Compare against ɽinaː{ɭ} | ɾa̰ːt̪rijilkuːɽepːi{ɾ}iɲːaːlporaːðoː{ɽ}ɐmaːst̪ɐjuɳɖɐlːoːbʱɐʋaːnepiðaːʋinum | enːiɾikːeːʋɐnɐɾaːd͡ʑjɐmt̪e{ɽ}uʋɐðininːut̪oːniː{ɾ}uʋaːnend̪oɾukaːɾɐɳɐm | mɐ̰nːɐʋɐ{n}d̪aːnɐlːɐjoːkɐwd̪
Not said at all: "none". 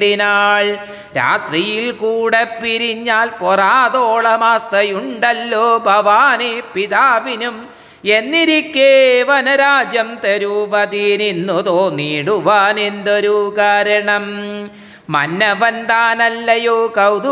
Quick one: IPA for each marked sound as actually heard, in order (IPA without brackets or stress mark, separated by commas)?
ɭ, ɾ, ɭ, ɾ, ɽ, n